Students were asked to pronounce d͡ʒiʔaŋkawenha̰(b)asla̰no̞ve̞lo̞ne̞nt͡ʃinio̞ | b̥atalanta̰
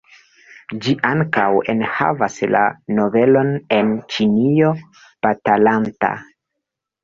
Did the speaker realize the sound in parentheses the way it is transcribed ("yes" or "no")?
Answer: no